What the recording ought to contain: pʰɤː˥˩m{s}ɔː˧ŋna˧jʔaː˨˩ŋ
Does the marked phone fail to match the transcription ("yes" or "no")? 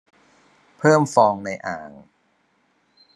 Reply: yes